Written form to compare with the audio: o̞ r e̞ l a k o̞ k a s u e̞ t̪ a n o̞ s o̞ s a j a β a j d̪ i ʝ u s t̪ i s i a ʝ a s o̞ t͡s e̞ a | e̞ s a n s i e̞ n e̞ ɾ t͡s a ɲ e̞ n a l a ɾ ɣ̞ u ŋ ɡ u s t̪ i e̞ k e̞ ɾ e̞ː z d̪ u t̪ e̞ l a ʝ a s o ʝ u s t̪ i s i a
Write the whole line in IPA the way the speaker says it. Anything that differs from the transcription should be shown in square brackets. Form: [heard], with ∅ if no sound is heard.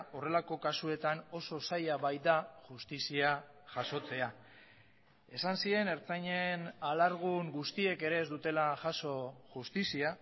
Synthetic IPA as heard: o̞ r e̞ l a k o̞ k a s u e̞ t̪ a n o̞ s o̞ s a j a β a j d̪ [a] ʝ u s t̪ i s i a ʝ a s o̞ t͡s e̞ a | e̞ s a n s i e̞ n e̞ ɾ t͡s a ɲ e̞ n a l a ɾ ɣ̞ u ŋ ɡ u s t̪ i e̞ k e̞ ɾ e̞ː z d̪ u t̪ e̞ l a ʝ a s o ʝ u s t̪ i s i a